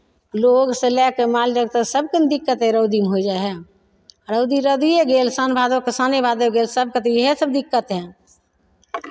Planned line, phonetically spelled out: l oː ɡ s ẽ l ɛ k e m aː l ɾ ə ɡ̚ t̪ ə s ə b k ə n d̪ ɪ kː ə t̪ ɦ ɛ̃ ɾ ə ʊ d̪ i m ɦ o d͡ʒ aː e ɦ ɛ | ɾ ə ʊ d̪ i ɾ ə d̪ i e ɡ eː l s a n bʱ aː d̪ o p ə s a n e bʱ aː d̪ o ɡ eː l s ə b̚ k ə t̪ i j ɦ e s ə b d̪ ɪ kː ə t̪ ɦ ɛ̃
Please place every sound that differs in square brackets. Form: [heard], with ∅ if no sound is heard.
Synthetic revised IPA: l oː ɡ s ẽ l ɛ k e m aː l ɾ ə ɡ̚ t̪ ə s ə b k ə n d̪ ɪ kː ə t̪ ɦ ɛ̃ ɾ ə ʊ d̪ i m ɦ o d͡ʒ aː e ɦ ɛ | ɾ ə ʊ d̪ i ɾ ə d̪ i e ɡ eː l s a n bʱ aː d̪ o [k] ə s a n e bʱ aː d̪ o ɡ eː l s ə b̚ k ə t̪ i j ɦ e s ə b d̪ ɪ kː ə t̪ ɦ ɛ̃